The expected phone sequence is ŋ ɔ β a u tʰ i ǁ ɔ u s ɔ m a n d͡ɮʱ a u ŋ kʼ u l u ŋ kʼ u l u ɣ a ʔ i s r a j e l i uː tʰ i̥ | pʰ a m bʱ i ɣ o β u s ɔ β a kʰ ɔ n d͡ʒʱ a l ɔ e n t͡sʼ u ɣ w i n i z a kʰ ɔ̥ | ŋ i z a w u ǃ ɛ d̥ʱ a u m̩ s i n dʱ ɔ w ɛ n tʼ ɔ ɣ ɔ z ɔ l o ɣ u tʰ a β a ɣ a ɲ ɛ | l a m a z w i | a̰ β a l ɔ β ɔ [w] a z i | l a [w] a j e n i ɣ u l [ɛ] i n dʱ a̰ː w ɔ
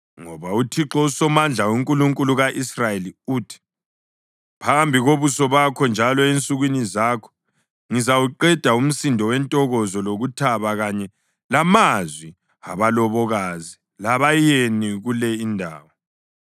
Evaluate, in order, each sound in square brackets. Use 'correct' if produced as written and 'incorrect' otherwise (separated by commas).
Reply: incorrect, incorrect, correct